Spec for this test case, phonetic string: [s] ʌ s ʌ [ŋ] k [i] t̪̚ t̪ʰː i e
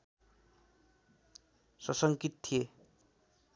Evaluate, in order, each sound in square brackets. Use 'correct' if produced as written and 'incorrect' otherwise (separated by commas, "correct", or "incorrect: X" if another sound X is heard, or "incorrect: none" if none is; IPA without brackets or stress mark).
correct, correct, correct